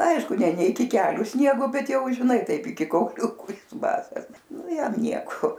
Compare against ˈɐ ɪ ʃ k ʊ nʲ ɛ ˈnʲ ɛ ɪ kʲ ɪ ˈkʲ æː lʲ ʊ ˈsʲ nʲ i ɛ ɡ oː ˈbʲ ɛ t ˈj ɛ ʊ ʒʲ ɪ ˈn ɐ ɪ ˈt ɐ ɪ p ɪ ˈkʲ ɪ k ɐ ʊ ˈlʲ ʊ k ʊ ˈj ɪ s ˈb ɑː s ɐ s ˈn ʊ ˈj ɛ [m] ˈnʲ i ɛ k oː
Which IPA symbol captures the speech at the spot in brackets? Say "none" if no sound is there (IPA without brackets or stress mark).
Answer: m